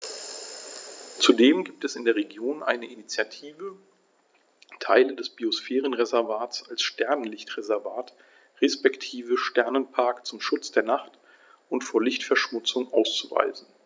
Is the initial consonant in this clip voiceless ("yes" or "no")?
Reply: yes